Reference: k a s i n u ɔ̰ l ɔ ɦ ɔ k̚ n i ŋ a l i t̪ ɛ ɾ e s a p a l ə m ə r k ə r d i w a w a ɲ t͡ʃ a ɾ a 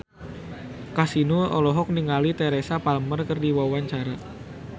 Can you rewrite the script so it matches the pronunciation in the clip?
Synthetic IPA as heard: k a s i n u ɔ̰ l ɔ ɦ ɔ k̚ n i ŋ a l i t̪ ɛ ɾ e s a p a l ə m ə r k ə r d i w a w a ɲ t͡ʃ a ɾ a